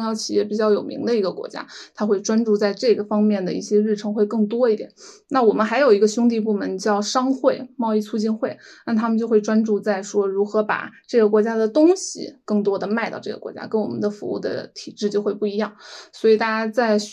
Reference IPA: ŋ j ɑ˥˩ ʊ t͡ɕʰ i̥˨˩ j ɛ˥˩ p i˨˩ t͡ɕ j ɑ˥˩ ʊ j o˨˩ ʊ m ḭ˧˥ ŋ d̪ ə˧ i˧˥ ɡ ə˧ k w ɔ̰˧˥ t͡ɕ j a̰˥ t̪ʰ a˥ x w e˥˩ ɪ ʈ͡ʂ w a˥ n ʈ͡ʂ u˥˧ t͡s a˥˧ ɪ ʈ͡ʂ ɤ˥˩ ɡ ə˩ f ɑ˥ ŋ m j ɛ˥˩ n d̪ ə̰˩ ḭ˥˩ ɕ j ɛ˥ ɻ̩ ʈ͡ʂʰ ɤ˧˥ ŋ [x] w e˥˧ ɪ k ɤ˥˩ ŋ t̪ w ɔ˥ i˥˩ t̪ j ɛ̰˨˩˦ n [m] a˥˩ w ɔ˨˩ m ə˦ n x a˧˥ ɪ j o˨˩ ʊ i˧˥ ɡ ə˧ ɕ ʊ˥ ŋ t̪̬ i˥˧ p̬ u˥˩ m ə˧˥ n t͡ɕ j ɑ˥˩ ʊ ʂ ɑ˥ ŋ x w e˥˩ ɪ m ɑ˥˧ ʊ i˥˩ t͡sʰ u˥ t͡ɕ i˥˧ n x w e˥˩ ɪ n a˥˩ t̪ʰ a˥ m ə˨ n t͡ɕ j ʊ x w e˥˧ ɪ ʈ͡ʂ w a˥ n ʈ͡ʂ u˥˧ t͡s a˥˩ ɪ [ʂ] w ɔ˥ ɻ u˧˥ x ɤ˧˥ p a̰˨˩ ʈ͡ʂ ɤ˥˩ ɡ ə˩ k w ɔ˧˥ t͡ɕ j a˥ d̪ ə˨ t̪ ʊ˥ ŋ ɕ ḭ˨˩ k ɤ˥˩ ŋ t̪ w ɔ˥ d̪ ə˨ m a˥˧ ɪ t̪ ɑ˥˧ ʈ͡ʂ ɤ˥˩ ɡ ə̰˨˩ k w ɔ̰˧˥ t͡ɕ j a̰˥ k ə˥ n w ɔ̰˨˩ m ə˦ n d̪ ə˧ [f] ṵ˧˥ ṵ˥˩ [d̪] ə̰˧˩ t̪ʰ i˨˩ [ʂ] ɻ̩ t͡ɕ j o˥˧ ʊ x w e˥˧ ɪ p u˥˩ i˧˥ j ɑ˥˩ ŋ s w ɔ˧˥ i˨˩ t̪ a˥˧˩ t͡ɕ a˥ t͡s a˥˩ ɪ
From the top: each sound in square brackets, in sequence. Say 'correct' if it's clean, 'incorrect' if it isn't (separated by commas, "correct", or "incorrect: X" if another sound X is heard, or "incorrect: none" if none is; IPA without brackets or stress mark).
correct, incorrect: n, correct, correct, correct, incorrect: ʈ͡ʂ